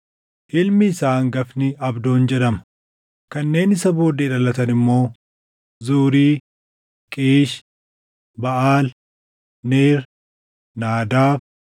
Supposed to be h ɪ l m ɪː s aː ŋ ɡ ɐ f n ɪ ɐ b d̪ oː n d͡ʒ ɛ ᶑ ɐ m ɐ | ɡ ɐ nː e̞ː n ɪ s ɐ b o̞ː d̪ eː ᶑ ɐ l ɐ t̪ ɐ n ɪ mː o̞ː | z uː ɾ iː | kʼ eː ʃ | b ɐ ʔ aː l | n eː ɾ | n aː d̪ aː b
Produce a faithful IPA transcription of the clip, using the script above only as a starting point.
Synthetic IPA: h ɪ l m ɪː s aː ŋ ɡ ɐ f n ɪ ɐ b d̪ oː n d͡ʒ ɛ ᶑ ɐ m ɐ | k ɐ nː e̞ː n ɪ s ɐ b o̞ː d̪ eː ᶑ ɐ l ɐ t̪ ɐ n ɪ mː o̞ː | z uː ɾ iː | kʼ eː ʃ | b ɐ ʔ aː l | n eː ɾ | n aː d̪ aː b